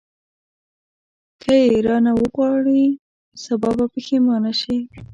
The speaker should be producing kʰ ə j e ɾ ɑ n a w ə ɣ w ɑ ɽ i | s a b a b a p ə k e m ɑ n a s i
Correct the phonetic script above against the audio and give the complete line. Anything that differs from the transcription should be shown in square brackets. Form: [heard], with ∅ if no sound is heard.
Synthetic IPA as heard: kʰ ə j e ɾ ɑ n a w ə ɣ w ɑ ɽ i | s a b [ɑ] b a p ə [x] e m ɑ n a [ʃ] i